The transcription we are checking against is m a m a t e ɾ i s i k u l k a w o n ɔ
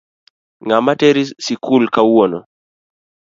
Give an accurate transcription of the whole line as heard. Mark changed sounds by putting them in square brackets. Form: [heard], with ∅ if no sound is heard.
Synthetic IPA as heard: [ŋ] a m a t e ɾ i s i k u l k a w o n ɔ